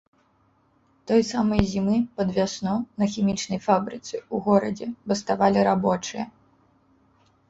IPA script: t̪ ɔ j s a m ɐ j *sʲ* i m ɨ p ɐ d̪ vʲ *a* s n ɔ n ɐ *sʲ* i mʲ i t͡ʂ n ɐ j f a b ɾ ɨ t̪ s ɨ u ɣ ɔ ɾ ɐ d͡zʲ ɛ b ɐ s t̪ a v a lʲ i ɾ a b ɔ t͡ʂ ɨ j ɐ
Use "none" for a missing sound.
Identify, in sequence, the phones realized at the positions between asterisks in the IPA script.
zʲ, a, xʲ

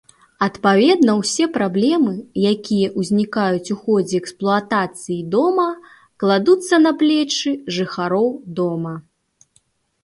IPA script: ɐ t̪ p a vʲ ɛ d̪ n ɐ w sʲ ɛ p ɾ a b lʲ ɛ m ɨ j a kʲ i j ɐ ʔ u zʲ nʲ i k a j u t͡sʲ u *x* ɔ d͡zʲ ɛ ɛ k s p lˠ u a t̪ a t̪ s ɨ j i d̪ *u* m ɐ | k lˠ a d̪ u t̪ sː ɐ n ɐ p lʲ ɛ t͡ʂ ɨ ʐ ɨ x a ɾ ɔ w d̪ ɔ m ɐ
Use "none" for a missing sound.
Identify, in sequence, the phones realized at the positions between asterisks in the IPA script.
x, ɔ

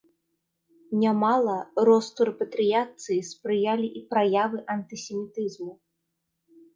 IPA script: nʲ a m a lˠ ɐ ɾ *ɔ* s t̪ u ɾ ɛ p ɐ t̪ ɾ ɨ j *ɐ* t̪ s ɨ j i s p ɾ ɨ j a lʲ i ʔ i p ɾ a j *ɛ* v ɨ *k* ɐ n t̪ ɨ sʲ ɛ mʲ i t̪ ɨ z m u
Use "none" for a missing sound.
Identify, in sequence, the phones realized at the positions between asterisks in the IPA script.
ɔ, a, a, ʔ

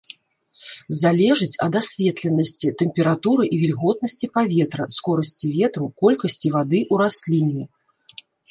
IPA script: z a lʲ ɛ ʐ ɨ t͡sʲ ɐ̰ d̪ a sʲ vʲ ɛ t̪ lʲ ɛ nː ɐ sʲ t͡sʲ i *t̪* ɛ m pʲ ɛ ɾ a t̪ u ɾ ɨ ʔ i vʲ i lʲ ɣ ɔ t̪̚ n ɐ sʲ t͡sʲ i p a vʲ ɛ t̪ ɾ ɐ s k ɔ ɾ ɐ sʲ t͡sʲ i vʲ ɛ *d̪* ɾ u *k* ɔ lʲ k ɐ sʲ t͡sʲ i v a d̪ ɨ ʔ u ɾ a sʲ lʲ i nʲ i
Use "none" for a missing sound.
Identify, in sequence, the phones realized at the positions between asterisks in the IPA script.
t̪, t̪, k

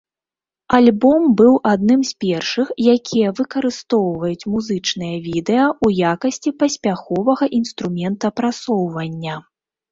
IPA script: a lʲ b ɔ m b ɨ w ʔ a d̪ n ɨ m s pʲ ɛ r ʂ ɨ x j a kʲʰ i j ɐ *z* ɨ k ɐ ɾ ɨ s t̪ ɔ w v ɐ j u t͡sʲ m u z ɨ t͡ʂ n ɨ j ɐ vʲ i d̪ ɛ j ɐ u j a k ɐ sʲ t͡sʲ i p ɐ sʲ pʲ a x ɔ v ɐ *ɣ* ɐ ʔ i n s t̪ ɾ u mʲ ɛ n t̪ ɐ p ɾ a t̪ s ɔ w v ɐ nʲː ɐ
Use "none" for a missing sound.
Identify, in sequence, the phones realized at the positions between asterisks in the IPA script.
v, ɣ

